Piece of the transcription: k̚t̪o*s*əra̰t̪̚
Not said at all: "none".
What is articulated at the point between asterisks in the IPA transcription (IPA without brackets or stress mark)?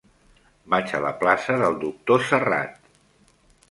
s